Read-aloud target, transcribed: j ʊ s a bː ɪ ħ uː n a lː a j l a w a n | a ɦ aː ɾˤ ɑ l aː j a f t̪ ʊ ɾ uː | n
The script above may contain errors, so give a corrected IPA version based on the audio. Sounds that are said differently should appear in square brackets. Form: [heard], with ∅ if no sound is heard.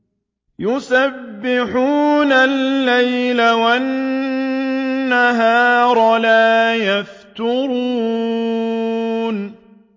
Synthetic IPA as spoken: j ʊ s a bː ɪ ħ uː n a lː a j l a w a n | a ɦ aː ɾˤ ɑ l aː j a f t̪ ʊ ɾ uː | n